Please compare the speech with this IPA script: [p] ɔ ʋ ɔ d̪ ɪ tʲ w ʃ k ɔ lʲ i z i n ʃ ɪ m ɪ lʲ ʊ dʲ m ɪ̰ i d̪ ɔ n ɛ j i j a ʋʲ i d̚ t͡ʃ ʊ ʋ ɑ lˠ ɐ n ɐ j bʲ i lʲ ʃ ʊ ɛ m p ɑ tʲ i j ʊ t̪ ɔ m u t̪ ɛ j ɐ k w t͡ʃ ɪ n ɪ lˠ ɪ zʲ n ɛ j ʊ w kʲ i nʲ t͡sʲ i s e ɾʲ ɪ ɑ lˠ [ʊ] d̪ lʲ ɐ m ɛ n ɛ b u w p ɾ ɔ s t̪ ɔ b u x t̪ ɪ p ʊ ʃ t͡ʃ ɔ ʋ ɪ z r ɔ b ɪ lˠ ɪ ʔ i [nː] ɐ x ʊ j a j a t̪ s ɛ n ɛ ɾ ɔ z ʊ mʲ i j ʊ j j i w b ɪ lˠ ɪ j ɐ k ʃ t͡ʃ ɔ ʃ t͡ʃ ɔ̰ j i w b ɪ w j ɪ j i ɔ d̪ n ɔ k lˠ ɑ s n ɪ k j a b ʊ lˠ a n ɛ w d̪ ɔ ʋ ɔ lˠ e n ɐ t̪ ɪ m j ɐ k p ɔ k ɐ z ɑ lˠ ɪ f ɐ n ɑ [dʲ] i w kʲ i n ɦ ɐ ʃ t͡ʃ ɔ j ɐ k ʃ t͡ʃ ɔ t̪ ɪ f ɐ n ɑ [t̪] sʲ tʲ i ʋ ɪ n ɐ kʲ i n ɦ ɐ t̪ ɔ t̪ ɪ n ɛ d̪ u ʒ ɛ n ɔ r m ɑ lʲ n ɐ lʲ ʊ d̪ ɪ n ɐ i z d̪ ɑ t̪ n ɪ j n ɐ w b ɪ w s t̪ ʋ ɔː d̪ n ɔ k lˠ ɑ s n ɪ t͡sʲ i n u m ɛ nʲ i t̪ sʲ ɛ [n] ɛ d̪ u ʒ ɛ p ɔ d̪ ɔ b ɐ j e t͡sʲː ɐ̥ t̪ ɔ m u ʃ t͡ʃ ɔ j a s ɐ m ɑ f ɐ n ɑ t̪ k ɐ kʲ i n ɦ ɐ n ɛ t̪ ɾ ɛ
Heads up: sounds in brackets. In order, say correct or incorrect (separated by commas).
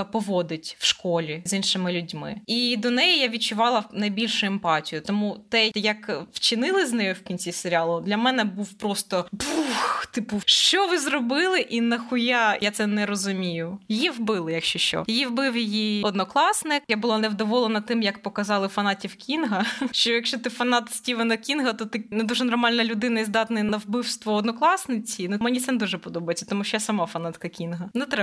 correct, correct, incorrect, incorrect, correct, correct